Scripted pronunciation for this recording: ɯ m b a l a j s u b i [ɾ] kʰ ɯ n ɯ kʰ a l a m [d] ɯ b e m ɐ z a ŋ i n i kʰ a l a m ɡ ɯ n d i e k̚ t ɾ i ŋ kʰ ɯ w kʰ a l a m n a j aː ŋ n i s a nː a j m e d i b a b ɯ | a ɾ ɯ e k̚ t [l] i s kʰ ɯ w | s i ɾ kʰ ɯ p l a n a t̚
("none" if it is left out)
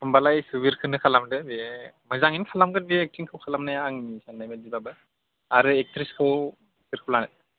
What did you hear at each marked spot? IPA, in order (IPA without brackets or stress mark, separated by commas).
ɾ, d, ɾ